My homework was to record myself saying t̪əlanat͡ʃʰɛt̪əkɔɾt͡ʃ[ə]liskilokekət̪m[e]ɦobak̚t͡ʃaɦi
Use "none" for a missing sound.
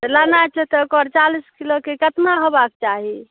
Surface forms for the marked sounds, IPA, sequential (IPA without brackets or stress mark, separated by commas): a, a